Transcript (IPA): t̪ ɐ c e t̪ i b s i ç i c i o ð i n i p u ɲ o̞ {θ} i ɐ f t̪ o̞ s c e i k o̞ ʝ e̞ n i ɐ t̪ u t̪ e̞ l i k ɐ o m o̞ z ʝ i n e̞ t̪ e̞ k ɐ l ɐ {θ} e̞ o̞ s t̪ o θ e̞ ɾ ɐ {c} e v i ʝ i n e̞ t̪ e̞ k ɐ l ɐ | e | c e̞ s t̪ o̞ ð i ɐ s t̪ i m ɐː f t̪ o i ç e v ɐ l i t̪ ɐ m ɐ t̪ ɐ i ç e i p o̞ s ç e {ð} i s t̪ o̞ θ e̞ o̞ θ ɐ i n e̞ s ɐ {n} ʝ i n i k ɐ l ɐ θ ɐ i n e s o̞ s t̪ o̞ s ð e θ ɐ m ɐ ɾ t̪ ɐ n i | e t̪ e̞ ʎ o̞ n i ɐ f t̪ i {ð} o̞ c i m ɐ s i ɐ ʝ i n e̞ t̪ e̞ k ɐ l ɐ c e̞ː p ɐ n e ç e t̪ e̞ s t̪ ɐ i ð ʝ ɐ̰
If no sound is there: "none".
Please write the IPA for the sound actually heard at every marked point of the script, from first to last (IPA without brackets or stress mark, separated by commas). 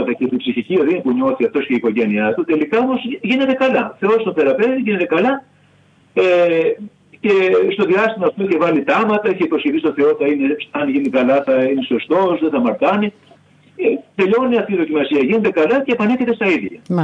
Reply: θ, θ, p, θ, n, ð